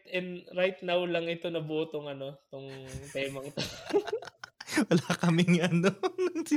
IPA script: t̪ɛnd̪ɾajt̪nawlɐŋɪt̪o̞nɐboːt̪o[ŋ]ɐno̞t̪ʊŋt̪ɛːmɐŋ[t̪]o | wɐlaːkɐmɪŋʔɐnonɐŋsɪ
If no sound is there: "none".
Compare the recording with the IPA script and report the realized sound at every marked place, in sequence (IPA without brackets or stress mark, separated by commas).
ŋ, t̪